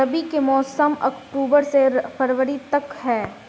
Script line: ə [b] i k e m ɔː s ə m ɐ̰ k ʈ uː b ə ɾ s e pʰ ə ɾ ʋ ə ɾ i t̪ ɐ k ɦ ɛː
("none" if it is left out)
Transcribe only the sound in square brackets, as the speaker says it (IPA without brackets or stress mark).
b